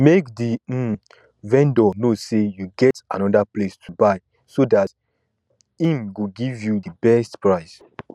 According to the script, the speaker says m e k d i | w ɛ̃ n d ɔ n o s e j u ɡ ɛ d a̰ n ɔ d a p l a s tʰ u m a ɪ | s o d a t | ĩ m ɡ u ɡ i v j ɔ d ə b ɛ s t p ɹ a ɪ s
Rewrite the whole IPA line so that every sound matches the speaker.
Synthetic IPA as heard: m e k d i | v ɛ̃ n d ɔ n o s e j u ɡ ɛ t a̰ n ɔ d a p l e s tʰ u b a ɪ | s o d a t | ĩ m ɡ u ɡ i v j u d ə b ɛ s t p ɹ a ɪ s